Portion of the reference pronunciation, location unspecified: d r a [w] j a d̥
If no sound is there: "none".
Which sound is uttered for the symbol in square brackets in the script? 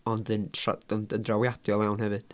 w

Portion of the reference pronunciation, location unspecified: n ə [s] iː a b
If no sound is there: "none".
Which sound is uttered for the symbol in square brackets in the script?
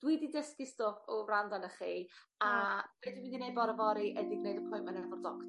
χ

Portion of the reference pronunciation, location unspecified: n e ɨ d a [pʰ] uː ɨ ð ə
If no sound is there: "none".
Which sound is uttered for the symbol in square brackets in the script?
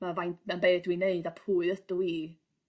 pʰ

